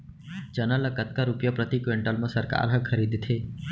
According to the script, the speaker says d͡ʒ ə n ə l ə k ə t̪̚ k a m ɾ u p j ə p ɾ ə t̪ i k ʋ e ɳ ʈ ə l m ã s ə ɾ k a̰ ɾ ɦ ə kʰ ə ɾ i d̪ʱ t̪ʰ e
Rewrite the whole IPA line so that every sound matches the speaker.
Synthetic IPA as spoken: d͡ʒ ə n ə l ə k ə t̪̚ k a ɾ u p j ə p ɾ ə t̪ i k ʋ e ɳ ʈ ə l m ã s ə ɾ k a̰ ɾ ɦ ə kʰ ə ɾ i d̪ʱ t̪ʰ e